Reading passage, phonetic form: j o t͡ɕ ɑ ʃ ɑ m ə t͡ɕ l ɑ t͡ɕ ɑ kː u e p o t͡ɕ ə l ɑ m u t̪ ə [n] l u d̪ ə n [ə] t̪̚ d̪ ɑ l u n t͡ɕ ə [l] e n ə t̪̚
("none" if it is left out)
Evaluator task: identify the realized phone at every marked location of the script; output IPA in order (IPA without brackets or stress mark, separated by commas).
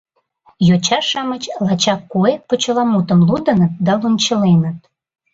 m, ə, l